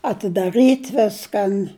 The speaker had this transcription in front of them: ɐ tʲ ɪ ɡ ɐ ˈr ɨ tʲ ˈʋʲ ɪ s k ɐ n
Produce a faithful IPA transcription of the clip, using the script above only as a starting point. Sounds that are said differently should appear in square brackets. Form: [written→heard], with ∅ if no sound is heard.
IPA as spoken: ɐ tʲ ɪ [ɡ→d] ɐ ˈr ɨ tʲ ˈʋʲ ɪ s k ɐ n